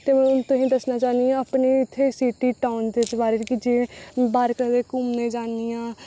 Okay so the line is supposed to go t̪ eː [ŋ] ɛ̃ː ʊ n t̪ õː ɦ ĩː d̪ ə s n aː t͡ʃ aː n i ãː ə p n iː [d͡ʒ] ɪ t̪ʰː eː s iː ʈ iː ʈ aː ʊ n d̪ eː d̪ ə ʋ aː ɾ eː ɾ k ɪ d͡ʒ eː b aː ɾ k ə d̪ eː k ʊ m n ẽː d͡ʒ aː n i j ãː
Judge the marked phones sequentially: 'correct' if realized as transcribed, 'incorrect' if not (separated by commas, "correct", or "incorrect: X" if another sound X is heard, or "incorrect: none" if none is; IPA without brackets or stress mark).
incorrect: m, incorrect: none